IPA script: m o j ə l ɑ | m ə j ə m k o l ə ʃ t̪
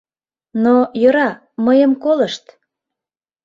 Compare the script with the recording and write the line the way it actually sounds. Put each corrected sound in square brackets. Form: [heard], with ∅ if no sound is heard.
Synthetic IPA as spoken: [n] o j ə [ɾ] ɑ | m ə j ə m k o l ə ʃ t̪